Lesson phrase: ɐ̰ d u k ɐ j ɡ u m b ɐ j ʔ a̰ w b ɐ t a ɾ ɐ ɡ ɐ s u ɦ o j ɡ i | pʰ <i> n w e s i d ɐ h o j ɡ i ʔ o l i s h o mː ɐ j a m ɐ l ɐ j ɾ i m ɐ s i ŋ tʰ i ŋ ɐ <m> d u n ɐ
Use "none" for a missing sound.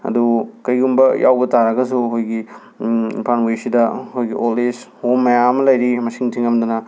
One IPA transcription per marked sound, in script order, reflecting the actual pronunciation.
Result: a, m

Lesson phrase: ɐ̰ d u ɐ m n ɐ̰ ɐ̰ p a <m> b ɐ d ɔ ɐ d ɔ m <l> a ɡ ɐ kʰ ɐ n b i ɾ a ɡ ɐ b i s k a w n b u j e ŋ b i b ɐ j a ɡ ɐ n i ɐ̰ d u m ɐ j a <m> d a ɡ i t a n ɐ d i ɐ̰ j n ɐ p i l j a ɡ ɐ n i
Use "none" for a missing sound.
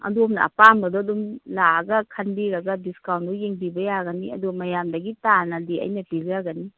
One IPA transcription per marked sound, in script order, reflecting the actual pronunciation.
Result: m, l, m

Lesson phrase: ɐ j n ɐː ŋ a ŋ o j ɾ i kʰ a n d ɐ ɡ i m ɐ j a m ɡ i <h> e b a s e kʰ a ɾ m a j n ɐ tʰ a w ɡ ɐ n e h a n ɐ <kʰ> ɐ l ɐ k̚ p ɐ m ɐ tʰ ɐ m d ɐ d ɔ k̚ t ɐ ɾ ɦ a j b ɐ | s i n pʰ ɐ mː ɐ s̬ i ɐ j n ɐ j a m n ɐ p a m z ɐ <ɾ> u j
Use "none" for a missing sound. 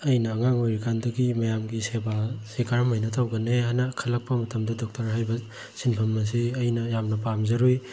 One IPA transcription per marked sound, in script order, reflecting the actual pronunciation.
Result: s, kʰ, ɾ

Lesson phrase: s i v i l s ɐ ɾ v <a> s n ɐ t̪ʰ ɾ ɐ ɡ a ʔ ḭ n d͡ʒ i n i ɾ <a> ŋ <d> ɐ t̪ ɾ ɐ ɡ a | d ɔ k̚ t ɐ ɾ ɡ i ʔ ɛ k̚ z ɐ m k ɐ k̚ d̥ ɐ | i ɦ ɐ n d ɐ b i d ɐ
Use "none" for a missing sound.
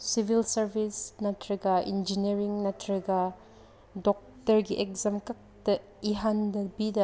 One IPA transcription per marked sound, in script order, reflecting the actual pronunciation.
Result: i, i, n

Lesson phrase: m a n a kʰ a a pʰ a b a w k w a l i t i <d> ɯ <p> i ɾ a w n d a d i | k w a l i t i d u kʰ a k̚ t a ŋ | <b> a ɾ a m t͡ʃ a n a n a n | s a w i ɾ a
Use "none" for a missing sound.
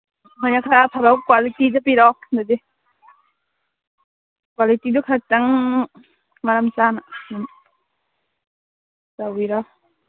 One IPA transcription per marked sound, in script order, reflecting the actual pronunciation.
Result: d, p, m

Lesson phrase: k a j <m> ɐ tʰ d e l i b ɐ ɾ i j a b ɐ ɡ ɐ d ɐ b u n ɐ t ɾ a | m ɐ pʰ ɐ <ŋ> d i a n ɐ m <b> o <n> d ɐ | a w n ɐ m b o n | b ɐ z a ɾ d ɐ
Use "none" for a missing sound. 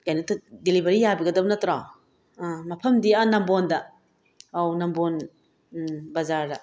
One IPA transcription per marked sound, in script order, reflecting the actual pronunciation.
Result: n, m, b, n

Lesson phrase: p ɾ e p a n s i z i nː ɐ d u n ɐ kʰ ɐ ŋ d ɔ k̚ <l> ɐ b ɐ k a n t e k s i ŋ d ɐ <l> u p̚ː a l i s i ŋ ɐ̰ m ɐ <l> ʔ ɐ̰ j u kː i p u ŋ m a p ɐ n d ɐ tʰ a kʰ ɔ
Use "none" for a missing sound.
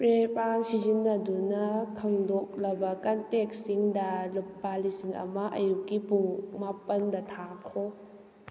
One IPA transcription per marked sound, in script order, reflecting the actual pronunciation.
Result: l, l, none

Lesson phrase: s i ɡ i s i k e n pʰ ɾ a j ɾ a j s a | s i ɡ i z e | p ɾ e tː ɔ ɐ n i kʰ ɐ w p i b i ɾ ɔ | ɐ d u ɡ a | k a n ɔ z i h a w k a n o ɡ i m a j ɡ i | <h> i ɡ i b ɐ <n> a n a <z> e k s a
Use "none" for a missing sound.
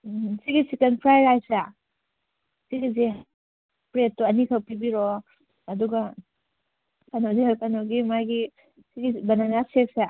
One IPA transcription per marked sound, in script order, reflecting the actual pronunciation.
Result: s, n, s

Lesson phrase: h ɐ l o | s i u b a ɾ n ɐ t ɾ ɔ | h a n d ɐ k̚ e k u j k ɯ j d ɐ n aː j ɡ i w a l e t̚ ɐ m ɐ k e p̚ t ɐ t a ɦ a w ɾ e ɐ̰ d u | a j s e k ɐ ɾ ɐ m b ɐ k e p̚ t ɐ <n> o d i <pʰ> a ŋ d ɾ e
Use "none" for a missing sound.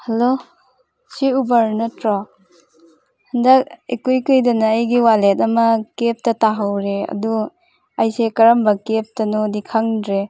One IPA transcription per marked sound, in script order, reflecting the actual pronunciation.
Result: n, kʰ

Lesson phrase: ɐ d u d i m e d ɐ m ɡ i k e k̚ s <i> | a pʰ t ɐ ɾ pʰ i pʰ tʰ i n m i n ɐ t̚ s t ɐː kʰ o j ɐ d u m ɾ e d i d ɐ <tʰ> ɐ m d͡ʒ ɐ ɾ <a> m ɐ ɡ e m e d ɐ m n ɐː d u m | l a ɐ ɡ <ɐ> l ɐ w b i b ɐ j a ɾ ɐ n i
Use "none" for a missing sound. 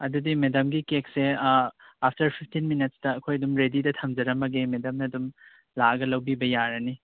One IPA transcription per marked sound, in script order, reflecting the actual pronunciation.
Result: e, tʰ, ɐ, ɐ

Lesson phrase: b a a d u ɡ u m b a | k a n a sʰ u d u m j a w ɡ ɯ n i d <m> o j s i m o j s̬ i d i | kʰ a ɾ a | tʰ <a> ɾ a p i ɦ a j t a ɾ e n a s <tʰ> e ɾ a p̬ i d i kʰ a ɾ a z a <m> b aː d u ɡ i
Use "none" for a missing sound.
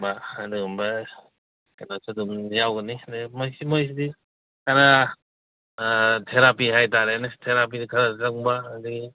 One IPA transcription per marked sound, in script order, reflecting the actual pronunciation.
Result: m, e, tʰ, ŋ

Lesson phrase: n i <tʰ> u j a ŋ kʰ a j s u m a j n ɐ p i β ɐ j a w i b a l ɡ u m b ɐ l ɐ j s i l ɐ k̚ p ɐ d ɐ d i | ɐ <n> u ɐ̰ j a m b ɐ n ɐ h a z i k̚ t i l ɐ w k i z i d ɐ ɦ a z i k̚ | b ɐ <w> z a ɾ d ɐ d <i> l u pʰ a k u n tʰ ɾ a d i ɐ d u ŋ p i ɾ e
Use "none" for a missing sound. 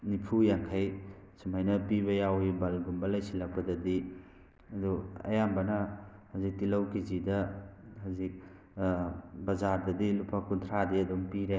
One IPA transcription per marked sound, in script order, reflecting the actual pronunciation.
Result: pʰ, d, none, i

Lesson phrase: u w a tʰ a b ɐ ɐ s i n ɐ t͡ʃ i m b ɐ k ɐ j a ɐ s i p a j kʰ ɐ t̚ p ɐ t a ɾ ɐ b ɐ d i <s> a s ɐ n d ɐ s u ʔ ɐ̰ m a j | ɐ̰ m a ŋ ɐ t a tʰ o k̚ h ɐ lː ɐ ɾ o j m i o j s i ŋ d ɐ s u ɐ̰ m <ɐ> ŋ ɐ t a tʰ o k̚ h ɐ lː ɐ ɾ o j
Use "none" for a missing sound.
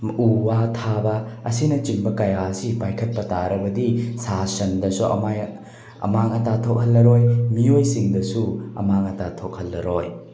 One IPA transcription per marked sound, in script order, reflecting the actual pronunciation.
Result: s, a

